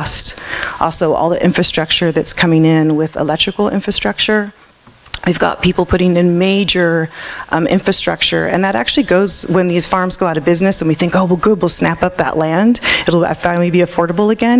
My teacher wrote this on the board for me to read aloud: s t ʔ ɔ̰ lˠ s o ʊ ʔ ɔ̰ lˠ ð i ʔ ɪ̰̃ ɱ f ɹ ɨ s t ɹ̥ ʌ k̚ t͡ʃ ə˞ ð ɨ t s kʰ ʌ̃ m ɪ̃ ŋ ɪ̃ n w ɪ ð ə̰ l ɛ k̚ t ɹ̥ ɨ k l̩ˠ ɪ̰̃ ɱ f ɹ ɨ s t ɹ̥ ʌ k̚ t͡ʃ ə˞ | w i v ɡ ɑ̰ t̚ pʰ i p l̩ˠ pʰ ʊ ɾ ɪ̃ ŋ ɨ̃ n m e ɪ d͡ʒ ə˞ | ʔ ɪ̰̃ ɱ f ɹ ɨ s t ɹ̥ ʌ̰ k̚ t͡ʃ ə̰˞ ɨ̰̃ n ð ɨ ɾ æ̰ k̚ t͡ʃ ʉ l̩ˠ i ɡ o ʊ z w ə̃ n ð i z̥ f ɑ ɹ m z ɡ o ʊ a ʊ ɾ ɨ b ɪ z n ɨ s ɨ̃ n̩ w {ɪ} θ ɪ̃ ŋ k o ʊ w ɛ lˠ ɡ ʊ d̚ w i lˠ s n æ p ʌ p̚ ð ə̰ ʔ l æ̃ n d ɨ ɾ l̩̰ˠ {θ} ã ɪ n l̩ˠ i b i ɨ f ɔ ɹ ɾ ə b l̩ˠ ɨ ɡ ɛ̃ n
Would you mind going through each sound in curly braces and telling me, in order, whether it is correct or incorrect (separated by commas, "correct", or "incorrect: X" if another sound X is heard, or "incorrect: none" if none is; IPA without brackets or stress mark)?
incorrect: i, incorrect: f